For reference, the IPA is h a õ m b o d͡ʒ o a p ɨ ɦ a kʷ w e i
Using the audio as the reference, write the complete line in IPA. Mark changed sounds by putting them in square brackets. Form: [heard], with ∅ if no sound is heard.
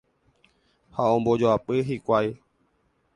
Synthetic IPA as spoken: h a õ m b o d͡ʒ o a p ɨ ɦ [i] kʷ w [a] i